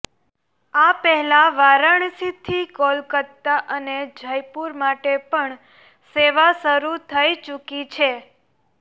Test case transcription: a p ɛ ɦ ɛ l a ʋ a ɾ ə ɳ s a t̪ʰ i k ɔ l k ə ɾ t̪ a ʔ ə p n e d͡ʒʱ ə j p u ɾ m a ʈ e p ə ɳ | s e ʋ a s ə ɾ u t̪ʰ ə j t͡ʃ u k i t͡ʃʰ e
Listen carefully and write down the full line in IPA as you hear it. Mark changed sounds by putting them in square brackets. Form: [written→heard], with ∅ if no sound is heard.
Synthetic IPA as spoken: a p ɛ ɦ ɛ l a ʋ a ɾ ə ɳ s [a→i] t̪ʰ i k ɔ l k ə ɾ t̪ a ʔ ə [p→∅] n e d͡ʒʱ ə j p u ɾ m a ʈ e p ə ɳ | s e ʋ a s ə ɾ u t̪ʰ ə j t͡ʃ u k i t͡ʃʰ e